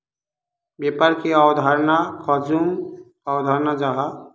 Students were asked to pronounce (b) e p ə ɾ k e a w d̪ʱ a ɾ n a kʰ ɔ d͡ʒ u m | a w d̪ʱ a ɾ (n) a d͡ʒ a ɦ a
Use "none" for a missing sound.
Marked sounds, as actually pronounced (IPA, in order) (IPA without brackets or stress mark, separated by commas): b, n